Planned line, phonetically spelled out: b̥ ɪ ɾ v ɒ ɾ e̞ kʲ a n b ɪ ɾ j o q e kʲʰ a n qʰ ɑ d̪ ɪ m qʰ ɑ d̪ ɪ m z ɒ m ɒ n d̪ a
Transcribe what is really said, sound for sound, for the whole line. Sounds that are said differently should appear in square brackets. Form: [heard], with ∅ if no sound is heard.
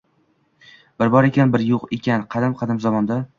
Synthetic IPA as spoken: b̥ ɪ ɾ [b] ɒ ɾ e̞ kʲ a n b ɪ ɾ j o q e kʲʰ a n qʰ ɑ d̪ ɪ m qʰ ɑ d̪ ɪ m z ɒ m ɒ n d̪ a